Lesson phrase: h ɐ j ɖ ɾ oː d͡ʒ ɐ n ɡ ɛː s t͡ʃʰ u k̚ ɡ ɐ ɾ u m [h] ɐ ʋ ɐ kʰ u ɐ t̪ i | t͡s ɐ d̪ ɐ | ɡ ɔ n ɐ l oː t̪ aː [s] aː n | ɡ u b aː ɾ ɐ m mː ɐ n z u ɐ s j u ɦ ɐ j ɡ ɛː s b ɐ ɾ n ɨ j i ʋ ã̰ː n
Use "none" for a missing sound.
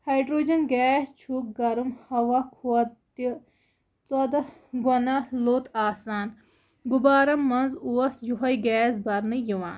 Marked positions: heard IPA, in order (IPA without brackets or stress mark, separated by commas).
h, s